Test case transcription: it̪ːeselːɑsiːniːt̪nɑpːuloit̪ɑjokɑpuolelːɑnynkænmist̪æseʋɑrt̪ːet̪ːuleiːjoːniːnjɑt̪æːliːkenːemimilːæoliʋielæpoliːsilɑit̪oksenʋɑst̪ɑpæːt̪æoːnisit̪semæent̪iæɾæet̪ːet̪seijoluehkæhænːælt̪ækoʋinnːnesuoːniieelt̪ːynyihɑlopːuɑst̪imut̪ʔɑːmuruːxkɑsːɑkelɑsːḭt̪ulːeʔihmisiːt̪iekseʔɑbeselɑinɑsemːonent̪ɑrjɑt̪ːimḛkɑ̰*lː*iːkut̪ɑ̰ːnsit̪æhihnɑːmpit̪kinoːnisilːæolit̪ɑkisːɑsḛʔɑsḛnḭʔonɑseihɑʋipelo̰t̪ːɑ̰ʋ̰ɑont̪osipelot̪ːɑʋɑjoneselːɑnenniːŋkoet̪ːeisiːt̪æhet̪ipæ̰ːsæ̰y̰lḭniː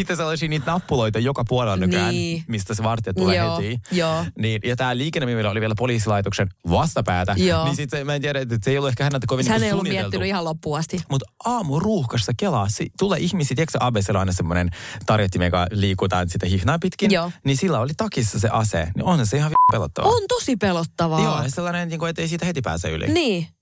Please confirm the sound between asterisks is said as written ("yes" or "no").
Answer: no